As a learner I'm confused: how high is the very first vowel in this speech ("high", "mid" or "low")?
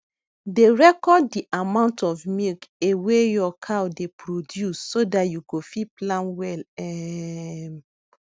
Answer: mid